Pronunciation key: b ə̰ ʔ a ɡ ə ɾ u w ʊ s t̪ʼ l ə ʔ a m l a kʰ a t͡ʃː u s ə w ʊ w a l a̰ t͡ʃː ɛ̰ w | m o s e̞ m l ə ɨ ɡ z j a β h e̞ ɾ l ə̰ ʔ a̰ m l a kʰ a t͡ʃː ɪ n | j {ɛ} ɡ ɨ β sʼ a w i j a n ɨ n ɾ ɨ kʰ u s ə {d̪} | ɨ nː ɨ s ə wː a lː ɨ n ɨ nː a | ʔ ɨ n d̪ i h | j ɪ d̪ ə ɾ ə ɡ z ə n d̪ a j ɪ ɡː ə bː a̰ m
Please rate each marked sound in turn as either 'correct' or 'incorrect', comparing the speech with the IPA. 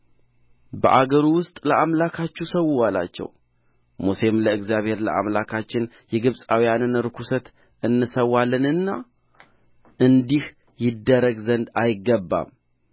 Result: correct, incorrect: t̪

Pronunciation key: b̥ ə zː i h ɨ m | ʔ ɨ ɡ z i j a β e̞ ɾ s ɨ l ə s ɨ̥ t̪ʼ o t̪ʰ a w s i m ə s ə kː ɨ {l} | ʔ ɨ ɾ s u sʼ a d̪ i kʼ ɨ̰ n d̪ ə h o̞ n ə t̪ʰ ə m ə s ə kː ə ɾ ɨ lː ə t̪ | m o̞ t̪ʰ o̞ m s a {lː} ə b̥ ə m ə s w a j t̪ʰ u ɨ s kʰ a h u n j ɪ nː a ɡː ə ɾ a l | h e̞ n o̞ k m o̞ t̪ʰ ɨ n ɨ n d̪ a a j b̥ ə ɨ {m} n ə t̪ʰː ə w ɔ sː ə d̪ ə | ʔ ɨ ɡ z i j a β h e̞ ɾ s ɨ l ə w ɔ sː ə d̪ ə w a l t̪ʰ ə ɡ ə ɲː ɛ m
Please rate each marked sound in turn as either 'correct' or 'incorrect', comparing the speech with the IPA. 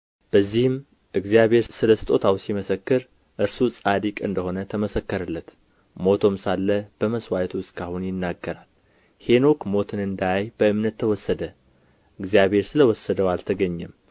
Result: incorrect: ɾ, correct, correct

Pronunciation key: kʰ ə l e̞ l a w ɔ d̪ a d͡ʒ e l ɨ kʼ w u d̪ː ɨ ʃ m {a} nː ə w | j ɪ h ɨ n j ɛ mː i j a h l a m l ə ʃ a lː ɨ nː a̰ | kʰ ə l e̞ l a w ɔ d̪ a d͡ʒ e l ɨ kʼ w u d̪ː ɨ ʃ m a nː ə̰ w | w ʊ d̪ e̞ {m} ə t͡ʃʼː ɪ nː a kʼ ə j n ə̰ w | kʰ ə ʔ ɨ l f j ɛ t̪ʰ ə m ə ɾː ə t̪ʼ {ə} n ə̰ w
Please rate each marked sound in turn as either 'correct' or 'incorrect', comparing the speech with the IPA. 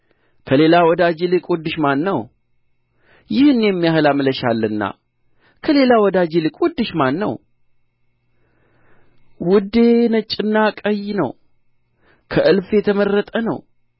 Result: correct, incorrect: n, correct

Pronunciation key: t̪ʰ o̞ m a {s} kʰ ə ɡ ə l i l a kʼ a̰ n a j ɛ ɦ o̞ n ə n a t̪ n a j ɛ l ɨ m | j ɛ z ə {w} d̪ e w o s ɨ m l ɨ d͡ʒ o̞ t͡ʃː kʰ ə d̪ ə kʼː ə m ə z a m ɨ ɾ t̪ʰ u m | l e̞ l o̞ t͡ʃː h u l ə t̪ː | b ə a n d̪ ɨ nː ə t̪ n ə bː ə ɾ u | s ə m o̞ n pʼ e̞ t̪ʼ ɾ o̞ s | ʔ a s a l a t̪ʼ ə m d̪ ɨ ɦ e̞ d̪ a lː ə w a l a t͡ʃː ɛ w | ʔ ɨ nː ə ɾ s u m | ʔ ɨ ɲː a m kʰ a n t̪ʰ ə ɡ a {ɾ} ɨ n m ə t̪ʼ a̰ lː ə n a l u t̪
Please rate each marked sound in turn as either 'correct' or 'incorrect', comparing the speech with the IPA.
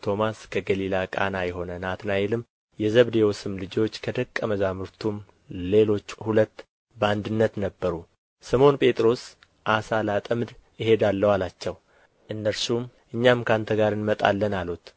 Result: correct, incorrect: β, correct

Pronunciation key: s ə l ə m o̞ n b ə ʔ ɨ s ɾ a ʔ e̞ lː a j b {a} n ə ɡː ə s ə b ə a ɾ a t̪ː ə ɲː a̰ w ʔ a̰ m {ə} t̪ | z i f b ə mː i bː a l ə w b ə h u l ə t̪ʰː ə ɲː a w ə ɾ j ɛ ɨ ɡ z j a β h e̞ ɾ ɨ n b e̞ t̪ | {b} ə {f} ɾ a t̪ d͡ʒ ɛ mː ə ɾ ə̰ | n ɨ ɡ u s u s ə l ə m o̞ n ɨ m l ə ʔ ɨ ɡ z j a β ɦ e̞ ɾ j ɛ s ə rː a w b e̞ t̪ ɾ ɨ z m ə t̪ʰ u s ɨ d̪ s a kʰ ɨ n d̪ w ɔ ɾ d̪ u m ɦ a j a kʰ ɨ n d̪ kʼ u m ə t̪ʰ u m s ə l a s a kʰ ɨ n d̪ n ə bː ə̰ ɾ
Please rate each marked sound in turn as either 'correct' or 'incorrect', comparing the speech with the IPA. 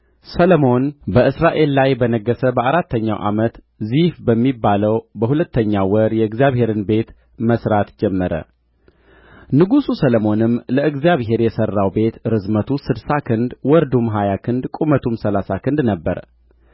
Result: incorrect: ə, correct, incorrect: m, incorrect: s

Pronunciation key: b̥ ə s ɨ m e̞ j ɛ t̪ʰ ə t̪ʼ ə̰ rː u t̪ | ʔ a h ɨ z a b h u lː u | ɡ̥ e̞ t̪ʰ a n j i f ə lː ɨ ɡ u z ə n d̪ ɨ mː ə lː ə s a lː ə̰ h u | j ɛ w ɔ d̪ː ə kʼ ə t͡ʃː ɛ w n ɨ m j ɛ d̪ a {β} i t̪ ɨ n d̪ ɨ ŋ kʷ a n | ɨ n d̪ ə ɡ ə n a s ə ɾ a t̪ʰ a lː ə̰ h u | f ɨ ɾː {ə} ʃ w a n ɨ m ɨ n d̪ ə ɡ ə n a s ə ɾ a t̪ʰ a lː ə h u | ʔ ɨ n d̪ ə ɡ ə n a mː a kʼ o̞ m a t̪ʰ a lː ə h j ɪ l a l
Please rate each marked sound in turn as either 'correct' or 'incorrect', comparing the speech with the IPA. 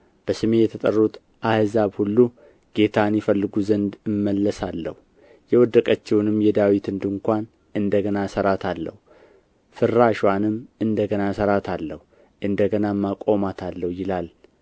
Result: incorrect: w, incorrect: a

